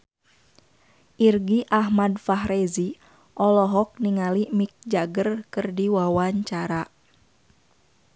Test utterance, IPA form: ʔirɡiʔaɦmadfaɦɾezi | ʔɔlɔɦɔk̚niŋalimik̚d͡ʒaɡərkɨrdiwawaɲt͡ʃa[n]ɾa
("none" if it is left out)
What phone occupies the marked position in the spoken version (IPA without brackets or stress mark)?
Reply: none